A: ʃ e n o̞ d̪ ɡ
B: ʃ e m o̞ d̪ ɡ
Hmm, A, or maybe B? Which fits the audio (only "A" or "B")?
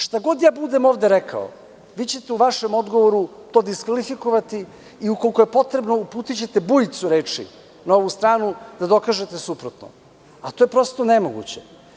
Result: B